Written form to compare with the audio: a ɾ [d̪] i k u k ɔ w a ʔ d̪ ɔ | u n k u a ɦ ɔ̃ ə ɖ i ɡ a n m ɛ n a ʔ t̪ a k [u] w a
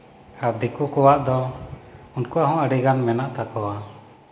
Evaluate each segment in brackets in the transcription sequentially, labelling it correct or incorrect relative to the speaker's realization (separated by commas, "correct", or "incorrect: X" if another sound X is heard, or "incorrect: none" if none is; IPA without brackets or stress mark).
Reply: correct, incorrect: ɔ